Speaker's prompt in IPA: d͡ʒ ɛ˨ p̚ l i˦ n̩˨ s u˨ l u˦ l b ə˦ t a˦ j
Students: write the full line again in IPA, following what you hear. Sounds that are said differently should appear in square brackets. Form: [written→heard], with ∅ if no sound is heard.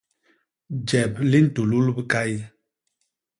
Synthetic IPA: d͡ʒ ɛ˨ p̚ l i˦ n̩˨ [s→t] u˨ l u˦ l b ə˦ [t→k] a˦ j

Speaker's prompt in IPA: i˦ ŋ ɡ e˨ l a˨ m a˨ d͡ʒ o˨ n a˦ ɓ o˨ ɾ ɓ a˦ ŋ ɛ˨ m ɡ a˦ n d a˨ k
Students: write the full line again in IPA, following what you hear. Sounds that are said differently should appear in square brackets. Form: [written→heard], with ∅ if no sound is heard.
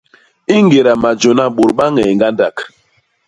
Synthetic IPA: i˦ ŋ ɡ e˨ [l→ɾ] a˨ m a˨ d͡ʒ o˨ n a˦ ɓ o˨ ɾ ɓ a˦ ŋ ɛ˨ [m→ŋ] ɡ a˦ n d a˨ k

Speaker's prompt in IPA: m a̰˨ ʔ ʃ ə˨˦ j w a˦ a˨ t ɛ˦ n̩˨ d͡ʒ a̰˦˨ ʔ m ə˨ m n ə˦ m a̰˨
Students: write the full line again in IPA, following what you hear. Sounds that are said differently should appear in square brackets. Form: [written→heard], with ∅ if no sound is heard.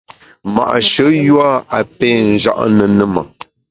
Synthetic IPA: m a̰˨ ʔ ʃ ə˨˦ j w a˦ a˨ [t→p] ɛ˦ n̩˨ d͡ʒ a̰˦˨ ʔ [m→n] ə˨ [m→∅] n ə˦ m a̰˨

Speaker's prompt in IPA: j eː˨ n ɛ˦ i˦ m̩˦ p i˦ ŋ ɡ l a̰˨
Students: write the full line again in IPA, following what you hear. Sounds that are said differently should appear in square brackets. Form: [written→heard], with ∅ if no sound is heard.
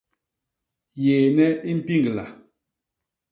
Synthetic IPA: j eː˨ n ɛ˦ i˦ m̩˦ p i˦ ŋ ɡ l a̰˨

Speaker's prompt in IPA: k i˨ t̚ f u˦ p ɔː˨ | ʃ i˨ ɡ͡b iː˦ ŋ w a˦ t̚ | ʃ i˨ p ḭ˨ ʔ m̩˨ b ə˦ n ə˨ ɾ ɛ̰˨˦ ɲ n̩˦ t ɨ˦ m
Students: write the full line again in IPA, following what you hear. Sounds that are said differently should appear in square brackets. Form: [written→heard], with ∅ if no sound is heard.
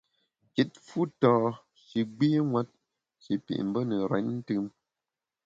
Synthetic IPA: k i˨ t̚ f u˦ [p→t] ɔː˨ | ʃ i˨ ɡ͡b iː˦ ŋ w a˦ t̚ | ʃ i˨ p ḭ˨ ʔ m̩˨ b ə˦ n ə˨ ɾ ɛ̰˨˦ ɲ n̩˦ t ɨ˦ m

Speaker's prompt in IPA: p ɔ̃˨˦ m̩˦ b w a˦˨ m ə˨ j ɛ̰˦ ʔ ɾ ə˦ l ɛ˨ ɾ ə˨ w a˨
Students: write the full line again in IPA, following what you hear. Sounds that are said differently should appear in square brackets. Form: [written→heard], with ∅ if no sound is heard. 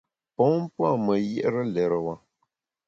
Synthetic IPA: p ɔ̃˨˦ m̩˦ [b→p] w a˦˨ m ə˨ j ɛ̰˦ ʔ ɾ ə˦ l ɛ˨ ɾ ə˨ w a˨

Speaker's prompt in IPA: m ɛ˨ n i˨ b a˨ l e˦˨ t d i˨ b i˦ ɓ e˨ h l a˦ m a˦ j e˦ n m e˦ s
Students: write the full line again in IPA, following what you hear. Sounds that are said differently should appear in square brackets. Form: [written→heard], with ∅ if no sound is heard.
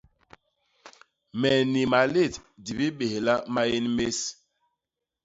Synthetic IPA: m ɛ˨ n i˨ [b→m] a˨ l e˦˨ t d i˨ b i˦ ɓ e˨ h l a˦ m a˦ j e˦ n m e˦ s

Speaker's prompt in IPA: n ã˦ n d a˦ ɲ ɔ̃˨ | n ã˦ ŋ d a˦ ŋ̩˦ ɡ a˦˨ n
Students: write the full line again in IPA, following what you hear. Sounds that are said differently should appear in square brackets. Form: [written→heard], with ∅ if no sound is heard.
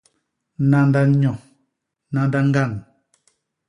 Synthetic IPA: n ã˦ n d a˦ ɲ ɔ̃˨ | n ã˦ [ŋ→n] d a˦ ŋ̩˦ ɡ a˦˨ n

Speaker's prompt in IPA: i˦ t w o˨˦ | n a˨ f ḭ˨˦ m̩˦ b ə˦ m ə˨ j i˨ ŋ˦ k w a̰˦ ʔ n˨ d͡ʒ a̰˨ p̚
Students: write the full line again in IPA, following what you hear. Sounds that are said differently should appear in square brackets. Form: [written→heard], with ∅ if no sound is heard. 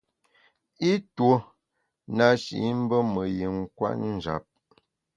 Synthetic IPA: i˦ t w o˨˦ | n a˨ [f→ʃ] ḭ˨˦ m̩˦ b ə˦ m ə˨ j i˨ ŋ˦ k w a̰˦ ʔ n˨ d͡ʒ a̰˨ p̚

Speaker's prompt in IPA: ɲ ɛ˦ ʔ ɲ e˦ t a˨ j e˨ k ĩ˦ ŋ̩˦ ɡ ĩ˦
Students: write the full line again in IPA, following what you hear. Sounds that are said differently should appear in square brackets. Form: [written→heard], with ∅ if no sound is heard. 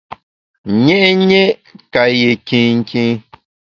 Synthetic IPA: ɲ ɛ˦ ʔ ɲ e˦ [t→k] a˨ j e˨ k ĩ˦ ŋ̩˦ [ɡ→k] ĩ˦

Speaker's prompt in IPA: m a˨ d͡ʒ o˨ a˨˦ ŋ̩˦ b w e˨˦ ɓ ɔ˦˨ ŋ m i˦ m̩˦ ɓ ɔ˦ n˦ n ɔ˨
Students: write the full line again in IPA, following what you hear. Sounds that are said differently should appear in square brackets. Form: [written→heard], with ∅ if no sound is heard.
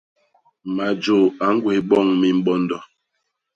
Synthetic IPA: m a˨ d͡ʒ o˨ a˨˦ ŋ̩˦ [b→ɡ] w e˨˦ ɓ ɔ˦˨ ŋ m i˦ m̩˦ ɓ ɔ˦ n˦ [n→d] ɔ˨

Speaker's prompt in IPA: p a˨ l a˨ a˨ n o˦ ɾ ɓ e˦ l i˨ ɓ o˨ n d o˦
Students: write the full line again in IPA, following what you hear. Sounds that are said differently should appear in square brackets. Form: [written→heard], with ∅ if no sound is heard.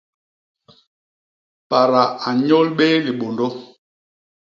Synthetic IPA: p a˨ [l→ɾ] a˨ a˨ [n→ɲ] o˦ [ɾ→l] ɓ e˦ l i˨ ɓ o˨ n d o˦

